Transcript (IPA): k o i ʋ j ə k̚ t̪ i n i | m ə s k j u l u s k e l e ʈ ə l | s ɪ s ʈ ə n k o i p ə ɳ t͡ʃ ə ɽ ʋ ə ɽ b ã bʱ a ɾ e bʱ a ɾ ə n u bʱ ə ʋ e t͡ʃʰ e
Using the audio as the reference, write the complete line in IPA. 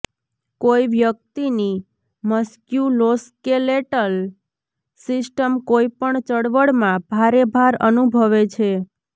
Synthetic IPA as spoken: k o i ʋ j ə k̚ t̪ i n i | m ə s k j u l o s k e l e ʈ ə l | s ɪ s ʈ ə m k o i p ə ɳ t͡ʃ ə ɽ ʋ ə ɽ m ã bʱ a ɾ e bʱ a ɾ ə n u bʱ ə ʋ e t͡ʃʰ e